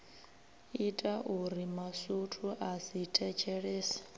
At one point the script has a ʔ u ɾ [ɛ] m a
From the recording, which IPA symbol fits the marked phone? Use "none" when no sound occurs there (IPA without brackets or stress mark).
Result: i